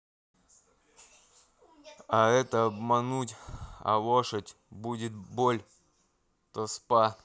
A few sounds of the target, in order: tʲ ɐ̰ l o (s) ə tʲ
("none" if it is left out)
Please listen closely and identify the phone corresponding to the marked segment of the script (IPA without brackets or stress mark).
ʂ